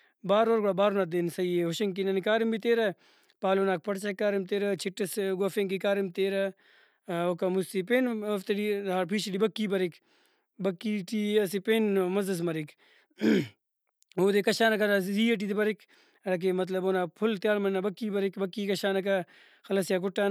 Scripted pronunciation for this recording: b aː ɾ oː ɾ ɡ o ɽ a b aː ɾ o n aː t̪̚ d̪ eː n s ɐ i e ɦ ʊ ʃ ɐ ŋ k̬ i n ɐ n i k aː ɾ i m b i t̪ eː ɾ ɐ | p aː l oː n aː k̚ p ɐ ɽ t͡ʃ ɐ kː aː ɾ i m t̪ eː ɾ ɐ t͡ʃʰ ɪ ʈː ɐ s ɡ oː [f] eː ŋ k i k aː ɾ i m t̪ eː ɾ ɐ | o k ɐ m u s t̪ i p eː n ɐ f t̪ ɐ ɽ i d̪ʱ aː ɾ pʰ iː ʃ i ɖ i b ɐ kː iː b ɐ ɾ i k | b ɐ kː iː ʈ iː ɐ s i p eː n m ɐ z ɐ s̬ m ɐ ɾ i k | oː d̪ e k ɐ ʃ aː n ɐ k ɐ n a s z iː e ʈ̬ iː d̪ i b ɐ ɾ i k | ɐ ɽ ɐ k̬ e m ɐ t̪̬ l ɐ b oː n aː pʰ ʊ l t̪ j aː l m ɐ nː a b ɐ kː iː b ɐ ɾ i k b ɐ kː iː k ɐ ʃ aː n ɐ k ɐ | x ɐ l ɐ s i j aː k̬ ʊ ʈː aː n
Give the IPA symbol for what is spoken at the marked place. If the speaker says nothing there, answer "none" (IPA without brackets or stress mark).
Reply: f